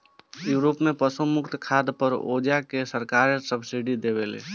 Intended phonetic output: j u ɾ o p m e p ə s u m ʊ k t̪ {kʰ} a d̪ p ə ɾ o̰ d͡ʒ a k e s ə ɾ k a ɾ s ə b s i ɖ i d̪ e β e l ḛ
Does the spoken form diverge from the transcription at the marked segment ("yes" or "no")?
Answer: no